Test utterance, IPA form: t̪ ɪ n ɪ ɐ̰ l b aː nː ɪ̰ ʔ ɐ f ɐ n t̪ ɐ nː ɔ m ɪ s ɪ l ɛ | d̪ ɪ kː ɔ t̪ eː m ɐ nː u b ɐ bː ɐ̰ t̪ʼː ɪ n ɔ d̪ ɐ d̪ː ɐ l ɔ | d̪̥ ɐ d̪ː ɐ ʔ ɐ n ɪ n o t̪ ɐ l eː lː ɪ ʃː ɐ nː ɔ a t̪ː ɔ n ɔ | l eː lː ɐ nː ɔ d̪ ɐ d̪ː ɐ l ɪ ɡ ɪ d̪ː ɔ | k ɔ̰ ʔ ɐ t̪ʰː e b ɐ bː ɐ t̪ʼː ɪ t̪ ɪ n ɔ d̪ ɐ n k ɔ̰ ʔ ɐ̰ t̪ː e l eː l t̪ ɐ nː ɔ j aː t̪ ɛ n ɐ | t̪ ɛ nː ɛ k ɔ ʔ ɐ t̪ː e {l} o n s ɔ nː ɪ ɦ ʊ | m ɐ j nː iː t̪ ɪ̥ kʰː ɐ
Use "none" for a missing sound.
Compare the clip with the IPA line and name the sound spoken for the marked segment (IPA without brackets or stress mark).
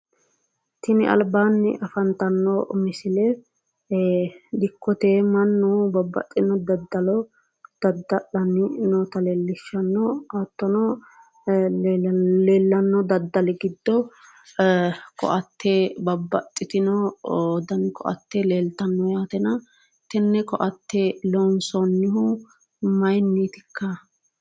l